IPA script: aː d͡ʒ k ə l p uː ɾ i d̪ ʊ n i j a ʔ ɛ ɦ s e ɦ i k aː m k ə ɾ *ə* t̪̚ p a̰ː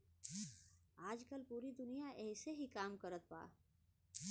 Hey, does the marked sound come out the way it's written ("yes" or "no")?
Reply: yes